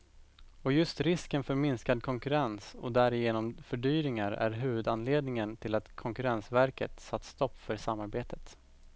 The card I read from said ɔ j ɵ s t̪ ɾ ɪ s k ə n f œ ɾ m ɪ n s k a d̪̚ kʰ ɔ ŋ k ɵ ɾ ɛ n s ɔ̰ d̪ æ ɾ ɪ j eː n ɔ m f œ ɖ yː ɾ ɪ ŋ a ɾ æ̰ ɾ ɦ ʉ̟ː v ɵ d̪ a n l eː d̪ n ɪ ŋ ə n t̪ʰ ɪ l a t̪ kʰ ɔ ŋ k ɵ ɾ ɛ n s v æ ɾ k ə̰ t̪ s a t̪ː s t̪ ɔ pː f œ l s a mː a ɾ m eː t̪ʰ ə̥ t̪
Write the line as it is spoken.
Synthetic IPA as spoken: ɔ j ɵ s t̪ ɾ ɪ s k ə n f œ ɾ m ɪ n s k a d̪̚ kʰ ɔ ŋ k ɵ ɾ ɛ n s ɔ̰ d̪ æ ɾ ɪ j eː n ɔ m f œ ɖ yː ɾ ɪ ŋ a ɾ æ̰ ɾ ɦ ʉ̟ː v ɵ d̪ a n l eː d̪ n ɪ ŋ ə n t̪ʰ ɪ l a t̪ kʰ ɔ ŋ k ɵ ɾ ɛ n s v æ ɾ k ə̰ t̪ s a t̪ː s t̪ ɔ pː f œ ɾ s a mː a ɾ b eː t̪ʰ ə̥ t̪